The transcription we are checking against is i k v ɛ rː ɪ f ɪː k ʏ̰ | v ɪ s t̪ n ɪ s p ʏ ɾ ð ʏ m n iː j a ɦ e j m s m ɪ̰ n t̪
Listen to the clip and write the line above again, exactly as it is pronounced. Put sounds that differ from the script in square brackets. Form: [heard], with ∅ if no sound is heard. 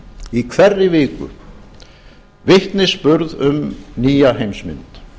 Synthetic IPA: i [kʰ] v ɛ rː ɪ [v] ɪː k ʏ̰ | v ɪ [h] t̪ n ɪ s p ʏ ɾ ð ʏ m n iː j a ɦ e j m s m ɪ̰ n t̪

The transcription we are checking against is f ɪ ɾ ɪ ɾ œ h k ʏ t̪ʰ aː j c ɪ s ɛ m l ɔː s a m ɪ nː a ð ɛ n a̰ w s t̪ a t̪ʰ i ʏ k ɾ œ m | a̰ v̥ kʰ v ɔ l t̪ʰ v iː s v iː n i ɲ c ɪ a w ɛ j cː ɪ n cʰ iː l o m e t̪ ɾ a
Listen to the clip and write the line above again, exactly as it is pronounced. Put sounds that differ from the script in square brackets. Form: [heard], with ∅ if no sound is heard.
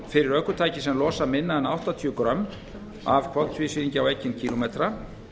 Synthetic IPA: f ɪ ɾ ɪ ɾ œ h k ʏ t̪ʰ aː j c ɪ s ɛ m l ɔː s a m ɪ nː a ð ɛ n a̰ w [h] t̪ a t̪ʰ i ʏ k ɾ œ m | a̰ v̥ kʰ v ɔ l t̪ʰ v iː s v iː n i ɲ c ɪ a w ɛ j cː ɪ n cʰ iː l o m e t̪ ɾ a

